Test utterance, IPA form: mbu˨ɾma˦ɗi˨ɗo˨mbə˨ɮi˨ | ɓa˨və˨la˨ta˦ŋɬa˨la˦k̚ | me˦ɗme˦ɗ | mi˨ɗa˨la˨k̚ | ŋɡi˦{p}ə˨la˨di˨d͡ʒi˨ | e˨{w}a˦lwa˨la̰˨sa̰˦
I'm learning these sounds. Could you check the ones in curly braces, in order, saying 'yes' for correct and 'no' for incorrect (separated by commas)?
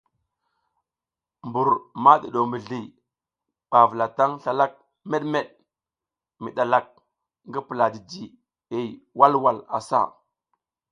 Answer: yes, yes